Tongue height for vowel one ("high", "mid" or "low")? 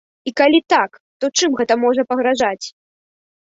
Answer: high